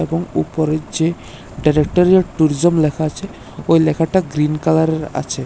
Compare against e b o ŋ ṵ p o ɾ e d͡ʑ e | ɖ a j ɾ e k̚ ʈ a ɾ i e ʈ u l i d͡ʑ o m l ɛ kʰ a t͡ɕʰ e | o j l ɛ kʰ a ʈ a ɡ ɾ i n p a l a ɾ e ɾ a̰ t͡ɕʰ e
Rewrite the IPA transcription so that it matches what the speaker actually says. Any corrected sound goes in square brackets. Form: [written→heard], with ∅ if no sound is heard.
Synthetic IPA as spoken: e b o ŋ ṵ p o ɾ e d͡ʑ e | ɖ a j ɾ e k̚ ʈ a ɾ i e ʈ u [l→ɾ] i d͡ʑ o m l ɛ kʰ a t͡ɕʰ e | o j l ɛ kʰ a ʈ a ɡ ɾ i n [p→k] a l a ɾ e ɾ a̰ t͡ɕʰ e